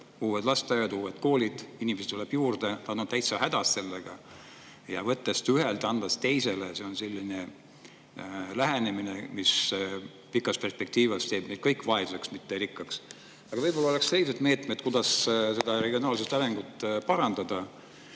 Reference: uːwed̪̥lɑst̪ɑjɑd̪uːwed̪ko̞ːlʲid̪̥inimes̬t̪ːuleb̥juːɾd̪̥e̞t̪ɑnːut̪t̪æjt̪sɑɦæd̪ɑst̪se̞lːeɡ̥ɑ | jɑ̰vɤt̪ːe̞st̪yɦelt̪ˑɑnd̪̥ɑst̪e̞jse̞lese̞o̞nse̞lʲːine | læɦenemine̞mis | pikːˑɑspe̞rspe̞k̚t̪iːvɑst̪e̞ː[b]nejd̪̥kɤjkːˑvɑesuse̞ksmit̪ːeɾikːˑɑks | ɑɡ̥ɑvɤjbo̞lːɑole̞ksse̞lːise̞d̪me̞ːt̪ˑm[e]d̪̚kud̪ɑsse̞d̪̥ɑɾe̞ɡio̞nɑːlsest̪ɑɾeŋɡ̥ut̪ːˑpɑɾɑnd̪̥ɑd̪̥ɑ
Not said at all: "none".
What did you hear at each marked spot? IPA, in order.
b, e

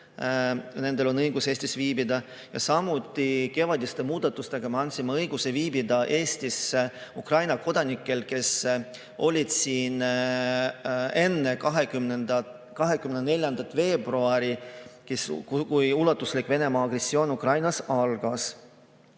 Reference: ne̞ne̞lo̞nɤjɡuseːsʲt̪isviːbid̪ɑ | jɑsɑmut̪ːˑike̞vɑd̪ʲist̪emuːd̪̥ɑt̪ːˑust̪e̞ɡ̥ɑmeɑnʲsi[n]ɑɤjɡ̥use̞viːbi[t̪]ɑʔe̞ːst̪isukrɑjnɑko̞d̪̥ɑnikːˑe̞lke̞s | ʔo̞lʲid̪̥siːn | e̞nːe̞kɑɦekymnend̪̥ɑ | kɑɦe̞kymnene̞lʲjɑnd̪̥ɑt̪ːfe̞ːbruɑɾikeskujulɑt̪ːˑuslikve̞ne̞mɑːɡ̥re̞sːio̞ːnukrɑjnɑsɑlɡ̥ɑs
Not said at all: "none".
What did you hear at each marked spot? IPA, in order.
m, d̪

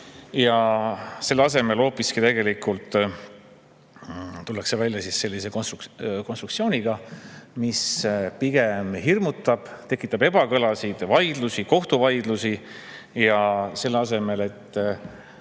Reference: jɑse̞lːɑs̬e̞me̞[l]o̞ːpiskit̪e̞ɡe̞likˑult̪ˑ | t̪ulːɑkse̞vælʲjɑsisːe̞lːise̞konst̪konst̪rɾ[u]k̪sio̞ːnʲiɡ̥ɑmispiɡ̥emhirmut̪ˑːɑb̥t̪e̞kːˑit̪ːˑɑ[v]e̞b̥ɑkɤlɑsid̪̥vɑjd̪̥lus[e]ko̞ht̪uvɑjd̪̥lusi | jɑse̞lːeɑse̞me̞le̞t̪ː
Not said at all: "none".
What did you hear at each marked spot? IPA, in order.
l, u, b, i

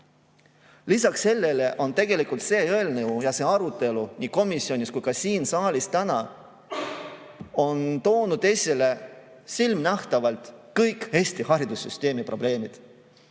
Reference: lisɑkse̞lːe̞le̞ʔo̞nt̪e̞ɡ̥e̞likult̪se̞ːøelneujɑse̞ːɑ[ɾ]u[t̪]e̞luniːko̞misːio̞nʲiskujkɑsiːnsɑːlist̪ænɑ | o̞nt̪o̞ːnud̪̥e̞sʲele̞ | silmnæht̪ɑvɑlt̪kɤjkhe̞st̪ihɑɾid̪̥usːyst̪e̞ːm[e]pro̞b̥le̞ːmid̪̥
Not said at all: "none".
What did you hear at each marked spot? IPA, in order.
ɾ, t̪, i

